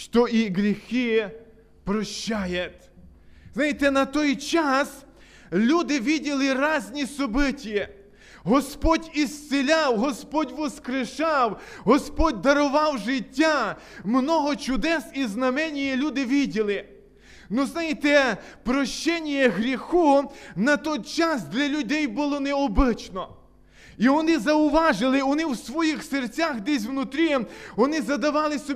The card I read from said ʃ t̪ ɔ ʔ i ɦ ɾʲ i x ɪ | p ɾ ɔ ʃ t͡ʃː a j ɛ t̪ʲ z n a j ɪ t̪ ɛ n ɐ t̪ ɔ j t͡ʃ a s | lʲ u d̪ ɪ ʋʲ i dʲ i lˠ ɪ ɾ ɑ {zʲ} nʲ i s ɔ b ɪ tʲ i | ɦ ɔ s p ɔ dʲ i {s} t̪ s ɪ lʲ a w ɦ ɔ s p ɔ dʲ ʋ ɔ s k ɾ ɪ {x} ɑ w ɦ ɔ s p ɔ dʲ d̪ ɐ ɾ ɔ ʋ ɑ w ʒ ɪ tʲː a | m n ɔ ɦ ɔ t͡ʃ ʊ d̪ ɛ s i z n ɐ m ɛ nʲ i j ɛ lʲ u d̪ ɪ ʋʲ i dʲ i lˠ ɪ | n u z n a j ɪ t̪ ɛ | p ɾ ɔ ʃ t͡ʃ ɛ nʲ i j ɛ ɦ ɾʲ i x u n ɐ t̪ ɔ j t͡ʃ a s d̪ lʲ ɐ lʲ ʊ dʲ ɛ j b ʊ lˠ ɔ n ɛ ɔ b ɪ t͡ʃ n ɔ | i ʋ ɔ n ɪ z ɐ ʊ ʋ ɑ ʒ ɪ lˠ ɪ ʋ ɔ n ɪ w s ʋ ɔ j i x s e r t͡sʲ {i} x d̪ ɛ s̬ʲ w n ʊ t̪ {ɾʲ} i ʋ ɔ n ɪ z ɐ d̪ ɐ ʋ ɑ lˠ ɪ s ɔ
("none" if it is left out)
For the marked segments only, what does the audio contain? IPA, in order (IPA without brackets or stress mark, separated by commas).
zʲ, s, ʃ, a, ɾʲ